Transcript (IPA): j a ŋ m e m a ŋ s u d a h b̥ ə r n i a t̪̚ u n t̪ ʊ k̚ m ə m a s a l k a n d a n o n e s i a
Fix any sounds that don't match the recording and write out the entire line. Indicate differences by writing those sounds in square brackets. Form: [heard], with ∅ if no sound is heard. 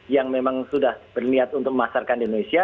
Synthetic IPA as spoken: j a ŋ m e m a ŋ s u d a h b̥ ə r n i a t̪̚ u n t̪ ʊ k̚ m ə m a s a [r] k a n d [i] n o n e s i a